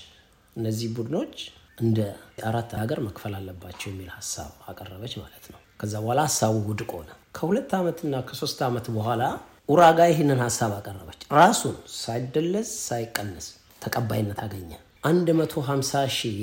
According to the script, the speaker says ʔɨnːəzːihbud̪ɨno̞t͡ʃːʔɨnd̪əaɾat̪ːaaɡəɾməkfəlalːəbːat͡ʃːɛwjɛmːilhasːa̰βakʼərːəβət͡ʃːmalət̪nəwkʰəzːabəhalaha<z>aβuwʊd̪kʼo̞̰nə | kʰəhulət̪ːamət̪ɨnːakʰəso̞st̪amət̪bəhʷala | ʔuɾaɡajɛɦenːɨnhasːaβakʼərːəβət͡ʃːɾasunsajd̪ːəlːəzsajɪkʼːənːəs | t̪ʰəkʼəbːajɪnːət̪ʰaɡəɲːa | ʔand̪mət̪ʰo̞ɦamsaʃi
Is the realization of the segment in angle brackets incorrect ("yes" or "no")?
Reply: yes